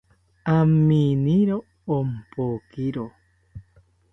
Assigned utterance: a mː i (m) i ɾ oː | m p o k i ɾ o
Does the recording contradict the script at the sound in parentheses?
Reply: yes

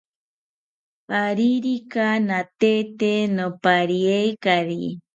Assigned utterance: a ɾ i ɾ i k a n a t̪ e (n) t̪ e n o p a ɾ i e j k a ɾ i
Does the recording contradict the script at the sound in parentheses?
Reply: yes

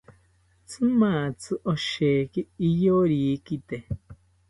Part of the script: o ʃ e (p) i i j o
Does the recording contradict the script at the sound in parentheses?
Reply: yes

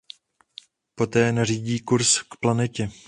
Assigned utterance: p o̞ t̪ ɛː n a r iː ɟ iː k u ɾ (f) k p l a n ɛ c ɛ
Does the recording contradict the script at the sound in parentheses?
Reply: yes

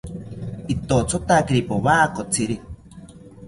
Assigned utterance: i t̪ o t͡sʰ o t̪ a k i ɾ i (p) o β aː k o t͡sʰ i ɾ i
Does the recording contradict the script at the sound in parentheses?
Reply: no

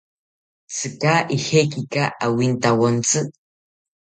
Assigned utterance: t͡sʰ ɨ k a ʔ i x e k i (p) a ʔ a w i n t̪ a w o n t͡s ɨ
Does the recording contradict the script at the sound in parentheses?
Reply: yes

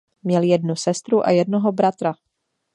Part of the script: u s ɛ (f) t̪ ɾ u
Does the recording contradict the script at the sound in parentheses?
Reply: yes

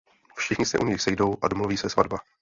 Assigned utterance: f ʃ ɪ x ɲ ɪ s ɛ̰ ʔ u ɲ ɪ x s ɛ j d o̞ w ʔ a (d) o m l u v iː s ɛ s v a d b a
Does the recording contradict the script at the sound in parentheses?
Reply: no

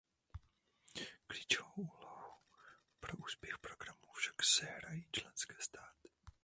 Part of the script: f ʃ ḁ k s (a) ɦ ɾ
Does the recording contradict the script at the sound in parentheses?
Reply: yes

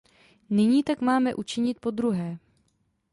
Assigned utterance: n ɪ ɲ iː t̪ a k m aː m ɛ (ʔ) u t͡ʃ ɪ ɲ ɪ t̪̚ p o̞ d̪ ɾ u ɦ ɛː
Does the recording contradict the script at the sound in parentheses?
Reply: no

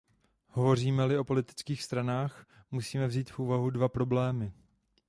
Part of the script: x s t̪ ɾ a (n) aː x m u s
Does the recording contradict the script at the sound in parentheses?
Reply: no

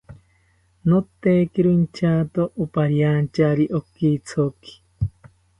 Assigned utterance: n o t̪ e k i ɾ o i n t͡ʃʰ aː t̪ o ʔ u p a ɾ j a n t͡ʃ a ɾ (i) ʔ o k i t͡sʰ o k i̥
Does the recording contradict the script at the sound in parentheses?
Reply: no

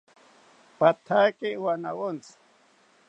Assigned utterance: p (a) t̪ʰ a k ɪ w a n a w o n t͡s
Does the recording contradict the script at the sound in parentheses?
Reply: no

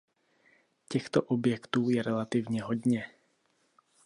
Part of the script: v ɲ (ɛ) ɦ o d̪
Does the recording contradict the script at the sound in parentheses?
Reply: no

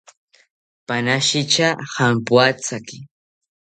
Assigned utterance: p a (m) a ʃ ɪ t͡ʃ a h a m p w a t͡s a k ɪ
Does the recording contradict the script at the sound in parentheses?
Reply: yes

